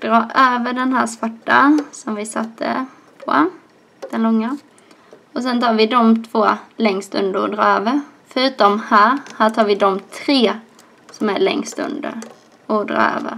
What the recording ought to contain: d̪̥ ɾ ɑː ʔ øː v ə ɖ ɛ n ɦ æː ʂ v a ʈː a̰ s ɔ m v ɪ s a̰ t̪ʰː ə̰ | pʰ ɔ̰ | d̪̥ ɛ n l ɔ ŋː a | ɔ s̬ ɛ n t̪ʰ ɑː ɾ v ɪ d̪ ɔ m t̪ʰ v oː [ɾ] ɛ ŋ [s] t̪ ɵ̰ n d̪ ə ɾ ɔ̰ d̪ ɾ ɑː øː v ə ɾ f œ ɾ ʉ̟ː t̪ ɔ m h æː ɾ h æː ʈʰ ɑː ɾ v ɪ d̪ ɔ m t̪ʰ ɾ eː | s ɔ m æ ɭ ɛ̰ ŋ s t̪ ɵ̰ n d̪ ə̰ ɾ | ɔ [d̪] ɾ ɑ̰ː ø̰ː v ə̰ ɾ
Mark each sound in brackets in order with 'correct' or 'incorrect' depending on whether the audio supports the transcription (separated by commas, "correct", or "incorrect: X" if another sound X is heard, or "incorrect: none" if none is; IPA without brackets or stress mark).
incorrect: l, correct, correct